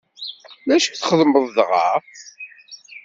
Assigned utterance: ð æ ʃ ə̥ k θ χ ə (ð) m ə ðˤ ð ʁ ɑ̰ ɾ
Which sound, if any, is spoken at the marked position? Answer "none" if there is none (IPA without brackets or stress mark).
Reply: ð